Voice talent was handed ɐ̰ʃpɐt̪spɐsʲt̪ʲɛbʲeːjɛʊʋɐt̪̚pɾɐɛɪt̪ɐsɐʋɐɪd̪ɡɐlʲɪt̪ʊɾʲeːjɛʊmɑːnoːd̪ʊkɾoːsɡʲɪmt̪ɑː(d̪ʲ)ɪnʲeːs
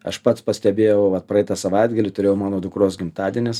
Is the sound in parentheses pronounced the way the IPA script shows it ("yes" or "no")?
yes